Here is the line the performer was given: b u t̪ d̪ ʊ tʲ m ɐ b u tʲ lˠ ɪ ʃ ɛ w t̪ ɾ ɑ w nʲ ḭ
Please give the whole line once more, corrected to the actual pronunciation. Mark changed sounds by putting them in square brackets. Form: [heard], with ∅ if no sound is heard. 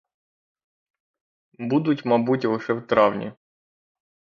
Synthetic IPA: b u [∅] d̪ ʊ tʲ m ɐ b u tʲ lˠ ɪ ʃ ɛ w t̪ ɾ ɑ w nʲ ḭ